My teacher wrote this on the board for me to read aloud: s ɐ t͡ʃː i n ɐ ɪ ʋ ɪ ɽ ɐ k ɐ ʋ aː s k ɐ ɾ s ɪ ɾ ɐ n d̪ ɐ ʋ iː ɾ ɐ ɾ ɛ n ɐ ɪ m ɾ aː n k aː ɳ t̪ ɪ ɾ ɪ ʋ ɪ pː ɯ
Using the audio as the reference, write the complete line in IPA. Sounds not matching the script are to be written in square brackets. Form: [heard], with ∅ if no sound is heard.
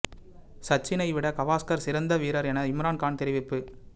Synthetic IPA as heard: s ɐ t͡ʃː [ɪ] n ɐ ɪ ʋ ɪ ɽ ɐ k ɐ ʋ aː s k ɐ ɾ s ɪ ɾ ɐ n d̪ ɐ ʋ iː ɾ ɐ ɾ ɛ n ɐ ɪ m ɾ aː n k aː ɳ t̪ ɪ ɾ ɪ ʋ ɪ pː ɯ

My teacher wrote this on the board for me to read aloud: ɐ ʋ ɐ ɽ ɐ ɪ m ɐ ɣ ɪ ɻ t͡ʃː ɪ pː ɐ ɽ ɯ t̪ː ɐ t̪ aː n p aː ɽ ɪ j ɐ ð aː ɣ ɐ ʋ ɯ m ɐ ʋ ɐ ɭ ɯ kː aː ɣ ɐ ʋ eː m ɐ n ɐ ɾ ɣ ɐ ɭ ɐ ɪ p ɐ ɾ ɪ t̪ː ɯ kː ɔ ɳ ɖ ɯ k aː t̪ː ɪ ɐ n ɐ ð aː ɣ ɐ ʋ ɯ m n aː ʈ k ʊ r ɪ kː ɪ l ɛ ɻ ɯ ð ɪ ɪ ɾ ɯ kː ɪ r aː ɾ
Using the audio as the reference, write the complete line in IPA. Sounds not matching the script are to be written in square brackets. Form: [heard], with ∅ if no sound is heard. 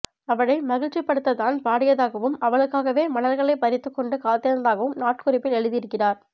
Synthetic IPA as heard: ɐ ʋ ɐ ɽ ɐ ɪ m ɐ ɣ ɪ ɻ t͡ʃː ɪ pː ɐ ɽ ɯ t̪ː ɐ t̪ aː n p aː ɽ ɪ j ɐ ð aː ɣ ɐ ʋ ɯ m ɐ ʋ ɐ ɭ ɯ kː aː ɣ ɐ ʋ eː m ɐ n ɐ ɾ ɣ ɐ ɭ ɐ ɪ p ɐ ɾ ɪ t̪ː ɯ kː ɔ ɳ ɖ ɯ k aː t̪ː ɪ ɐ n ɐ ð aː ɣ ɐ ʋ ɯ m n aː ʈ k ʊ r ɪ [pː] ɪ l ɛ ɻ ɯ ð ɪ ɪ ɾ ɯ kː ɪ r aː ɾ

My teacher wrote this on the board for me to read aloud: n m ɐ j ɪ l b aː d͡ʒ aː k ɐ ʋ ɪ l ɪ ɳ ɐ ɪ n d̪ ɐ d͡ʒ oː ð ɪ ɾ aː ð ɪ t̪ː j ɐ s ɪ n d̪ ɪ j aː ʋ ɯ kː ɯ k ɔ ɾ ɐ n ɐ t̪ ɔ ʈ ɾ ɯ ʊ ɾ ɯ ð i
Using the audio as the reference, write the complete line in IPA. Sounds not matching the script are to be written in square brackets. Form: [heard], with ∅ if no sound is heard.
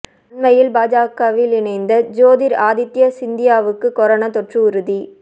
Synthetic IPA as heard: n m ɐ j ɪ l b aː d͡ʒ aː k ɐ ʋ ɪ l ɪ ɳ ɐ ɪ n d̪ ɐ d͡ʒ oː ð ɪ ɾ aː ð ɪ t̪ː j ɐ s ɪ n d̪ ɪ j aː ʋ ɯ kː ɯ k ɔ ɾ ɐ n ɐ t̪ ɔ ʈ [r] ɯ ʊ ɾ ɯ ð i

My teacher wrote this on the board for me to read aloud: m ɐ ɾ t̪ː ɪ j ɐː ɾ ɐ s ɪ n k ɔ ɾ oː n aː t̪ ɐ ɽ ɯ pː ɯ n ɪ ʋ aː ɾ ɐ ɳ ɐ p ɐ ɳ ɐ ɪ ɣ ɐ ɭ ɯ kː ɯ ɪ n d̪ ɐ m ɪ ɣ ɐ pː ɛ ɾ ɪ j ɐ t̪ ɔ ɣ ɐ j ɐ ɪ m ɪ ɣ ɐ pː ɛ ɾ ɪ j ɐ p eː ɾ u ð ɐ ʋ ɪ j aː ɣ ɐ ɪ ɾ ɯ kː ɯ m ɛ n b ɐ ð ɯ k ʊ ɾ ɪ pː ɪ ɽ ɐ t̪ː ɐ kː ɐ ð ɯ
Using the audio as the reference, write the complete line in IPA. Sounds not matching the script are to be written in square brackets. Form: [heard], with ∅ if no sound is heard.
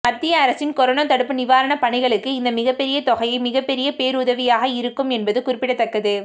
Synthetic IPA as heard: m ɐ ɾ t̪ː ɪ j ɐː ɾ ɐ s ɪ n k ɔ ɾ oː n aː t̪ ɐ ɽ ɯ pː ɯ n ɪ ʋ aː ɾ ɐ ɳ ɐ p ɐ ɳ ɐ ɪ ɣ ɐ ɭ ɯ kː ɯ ɪ n d̪ ɐ m ɪ ɣ ɐ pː ɛ ɾ ɪ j ɐ t̪ ɔ ɣ ɐ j ɐ ɪ m ɪ ɣ ɐ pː ɛ ɾ ɪ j ɐ p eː ɾ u ð ɐ ʋ ɪ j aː ɣ ɐ ɪ ɾ ɯ kː ɯ m ɛ n b ɐ ð ɯ k ʊ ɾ ɪ pː ɪ ɽ ɐ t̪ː ɐ kː ɐ ð ɯ

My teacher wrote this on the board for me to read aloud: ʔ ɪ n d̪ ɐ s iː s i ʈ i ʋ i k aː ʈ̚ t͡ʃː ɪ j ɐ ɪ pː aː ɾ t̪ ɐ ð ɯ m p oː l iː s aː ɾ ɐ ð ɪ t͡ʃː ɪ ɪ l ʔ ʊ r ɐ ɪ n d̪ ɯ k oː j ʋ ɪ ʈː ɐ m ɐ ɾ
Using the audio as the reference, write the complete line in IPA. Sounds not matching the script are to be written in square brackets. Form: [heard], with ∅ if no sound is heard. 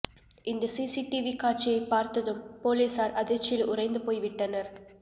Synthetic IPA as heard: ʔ ɪ n d̪ ɐ s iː s i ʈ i ʋ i k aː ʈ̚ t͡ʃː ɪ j ɐ ɪ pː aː ɾ t̪ ɐ ð ɯ m p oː l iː s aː ɾ ɐ ð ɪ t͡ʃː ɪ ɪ l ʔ ʊ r ɐ ɪ n d̪ ɯ [p] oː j ʋ ɪ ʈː ɐ [n] ɐ ɾ

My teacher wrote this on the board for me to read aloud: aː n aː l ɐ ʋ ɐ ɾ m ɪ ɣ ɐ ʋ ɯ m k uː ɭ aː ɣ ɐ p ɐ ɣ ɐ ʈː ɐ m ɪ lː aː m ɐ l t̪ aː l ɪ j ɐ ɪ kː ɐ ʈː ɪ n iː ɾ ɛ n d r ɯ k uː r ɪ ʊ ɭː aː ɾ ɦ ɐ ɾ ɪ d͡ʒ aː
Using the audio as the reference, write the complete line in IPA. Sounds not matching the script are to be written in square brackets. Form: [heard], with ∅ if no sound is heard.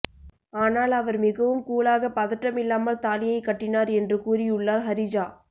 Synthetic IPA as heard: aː n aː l ɐ ʋ ɐ ɾ m ɪ ɣ ɐ ʋ ɯ m k uː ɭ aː ɣ ɐ p ɐ [ð] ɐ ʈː ɐ m ɪ lː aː m ɐ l t̪ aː l ɪ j ɐ ɪ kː ɐ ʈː ɪ n [aː] ɾ ɛ n d r ɯ k uː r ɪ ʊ ɭː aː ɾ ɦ ɐ ɾ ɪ d͡ʒ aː

